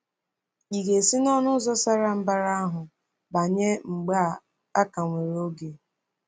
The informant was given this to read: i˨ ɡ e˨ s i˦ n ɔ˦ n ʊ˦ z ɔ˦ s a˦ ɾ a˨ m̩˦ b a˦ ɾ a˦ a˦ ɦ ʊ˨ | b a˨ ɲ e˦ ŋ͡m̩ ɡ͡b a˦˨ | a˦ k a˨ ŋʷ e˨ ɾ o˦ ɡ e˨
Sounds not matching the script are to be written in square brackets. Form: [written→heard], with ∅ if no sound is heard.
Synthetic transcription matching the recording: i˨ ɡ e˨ s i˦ n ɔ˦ n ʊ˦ z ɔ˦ s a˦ ɾ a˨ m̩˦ b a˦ ɾ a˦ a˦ ɦ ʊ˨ | b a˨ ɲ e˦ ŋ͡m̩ ɡ͡b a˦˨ | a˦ k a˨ ŋʷ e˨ ɾ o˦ ɡ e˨